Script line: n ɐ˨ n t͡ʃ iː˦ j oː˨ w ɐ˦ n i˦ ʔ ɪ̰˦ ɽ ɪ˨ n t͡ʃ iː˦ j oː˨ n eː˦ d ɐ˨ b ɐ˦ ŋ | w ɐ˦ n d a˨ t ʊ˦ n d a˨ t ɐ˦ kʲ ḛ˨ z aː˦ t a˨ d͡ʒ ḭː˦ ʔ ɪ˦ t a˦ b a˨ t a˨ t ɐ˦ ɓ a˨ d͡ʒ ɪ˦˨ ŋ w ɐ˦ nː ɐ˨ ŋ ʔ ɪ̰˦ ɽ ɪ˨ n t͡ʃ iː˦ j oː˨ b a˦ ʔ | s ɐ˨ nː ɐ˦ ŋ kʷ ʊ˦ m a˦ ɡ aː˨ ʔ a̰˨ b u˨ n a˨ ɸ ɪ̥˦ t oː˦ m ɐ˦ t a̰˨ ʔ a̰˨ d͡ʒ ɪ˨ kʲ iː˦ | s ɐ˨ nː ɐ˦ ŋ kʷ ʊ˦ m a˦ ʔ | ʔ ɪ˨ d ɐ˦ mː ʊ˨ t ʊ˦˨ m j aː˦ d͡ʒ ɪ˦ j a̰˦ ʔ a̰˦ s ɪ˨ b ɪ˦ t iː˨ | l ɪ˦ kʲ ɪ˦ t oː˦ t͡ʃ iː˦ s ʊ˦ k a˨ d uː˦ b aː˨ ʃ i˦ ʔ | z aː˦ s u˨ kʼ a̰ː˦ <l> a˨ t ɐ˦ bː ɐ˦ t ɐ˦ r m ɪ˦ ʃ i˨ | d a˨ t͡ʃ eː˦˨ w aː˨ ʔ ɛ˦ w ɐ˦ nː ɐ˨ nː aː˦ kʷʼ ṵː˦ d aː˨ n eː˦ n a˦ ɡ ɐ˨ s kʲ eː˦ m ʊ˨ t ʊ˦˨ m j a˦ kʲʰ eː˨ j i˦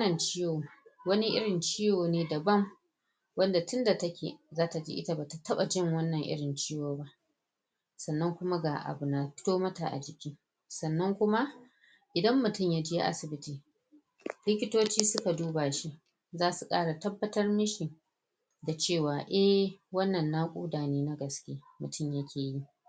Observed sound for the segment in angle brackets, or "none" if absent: ɽ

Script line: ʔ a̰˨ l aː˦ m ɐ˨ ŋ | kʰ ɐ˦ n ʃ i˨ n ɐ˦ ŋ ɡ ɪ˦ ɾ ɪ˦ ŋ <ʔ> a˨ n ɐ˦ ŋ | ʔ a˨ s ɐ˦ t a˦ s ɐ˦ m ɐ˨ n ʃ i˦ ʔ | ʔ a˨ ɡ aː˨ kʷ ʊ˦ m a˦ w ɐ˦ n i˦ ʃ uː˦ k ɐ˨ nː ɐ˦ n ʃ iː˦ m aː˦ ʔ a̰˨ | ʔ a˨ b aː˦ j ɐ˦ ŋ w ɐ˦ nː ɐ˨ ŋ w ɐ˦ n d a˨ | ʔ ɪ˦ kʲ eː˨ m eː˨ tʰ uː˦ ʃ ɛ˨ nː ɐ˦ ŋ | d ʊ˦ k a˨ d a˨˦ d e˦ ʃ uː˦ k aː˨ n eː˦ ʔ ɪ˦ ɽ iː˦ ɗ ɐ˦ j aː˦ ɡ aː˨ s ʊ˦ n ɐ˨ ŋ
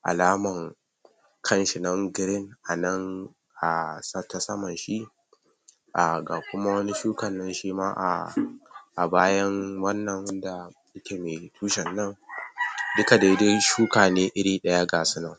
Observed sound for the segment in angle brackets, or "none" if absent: ʔ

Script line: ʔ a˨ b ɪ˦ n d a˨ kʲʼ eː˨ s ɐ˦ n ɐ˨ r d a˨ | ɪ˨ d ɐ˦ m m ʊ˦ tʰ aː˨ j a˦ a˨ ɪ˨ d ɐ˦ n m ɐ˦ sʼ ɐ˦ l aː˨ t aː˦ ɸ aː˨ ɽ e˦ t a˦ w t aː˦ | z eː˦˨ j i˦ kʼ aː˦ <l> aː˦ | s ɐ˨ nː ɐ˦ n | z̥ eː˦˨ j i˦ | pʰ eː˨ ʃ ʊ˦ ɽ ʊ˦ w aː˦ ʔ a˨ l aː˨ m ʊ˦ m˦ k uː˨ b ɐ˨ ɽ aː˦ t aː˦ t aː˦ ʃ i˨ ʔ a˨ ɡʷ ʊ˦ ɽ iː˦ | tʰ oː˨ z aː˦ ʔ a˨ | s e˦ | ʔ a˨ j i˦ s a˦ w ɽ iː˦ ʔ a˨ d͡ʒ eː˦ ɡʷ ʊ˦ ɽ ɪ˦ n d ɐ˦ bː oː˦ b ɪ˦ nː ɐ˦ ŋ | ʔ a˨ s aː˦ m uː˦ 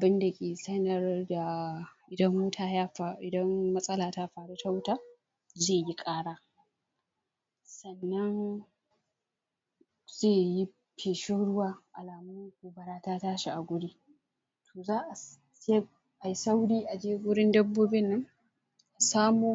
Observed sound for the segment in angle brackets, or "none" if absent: ɽ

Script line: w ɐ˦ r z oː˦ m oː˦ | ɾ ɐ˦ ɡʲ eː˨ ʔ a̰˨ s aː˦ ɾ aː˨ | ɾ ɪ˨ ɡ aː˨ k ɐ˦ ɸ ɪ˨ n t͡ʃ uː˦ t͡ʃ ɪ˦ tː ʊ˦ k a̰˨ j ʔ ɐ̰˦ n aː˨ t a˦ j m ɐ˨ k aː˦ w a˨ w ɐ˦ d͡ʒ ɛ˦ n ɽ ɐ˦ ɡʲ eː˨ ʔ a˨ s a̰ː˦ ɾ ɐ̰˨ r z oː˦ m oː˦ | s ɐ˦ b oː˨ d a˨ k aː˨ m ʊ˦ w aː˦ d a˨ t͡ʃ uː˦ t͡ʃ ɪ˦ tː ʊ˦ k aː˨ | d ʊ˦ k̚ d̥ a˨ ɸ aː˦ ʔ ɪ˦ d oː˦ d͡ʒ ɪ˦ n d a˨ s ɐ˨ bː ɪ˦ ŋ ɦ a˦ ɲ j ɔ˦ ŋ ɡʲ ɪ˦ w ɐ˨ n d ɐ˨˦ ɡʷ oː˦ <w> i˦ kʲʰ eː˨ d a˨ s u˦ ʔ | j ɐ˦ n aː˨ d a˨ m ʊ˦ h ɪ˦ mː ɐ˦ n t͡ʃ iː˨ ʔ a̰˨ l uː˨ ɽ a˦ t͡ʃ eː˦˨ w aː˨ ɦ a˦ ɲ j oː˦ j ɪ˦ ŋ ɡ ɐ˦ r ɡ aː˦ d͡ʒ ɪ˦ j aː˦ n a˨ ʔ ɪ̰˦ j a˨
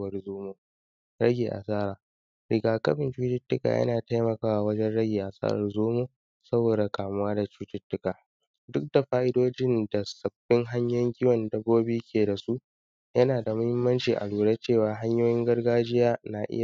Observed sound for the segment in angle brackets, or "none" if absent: b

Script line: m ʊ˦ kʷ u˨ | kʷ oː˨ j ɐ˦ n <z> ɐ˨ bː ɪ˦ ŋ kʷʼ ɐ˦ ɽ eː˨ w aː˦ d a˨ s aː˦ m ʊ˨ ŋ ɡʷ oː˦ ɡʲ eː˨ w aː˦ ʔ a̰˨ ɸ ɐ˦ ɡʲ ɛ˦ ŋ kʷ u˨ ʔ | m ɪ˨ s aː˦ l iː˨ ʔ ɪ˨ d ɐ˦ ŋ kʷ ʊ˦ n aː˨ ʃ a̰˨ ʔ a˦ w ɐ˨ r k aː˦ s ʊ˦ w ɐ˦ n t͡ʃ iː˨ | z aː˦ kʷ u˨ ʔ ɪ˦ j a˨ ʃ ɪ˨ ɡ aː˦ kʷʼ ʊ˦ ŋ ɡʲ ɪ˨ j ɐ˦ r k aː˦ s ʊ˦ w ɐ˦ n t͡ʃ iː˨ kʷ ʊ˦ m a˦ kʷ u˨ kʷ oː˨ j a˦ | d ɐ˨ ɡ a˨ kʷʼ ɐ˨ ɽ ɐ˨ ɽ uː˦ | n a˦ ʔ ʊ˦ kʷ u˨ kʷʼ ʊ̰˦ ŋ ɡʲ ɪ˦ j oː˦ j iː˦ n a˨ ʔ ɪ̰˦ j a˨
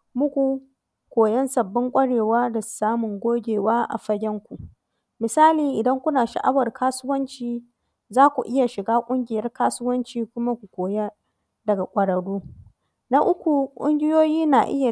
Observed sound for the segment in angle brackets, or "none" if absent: s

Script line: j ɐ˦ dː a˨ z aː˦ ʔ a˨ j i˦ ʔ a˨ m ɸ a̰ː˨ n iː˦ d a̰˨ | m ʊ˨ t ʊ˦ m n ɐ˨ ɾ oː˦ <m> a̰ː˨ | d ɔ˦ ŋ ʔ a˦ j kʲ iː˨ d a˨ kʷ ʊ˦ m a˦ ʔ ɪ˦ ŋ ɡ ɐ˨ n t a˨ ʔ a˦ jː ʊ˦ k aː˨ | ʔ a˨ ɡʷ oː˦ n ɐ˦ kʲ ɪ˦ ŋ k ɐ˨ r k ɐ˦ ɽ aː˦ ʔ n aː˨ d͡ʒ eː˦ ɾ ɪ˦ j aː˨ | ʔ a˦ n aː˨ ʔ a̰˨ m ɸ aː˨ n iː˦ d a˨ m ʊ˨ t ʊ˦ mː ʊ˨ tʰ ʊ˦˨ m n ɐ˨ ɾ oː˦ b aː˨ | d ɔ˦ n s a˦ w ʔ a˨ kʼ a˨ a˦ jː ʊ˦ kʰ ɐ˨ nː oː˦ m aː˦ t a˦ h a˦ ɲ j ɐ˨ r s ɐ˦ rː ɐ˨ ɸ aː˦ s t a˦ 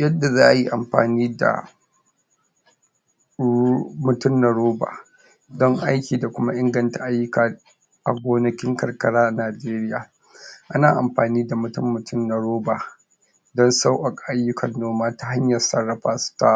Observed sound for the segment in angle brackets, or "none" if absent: b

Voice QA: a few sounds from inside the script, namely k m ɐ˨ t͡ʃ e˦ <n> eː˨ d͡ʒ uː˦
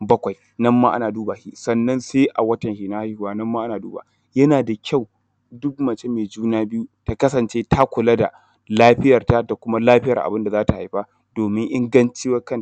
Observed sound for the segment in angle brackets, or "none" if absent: m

